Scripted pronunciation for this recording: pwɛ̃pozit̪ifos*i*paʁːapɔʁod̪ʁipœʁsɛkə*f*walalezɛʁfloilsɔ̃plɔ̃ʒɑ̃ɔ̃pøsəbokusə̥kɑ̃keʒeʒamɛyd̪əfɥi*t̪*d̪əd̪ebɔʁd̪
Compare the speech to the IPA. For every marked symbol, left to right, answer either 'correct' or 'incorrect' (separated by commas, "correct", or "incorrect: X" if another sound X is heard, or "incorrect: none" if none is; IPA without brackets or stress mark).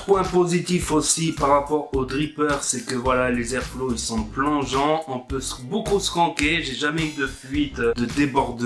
correct, incorrect: v, correct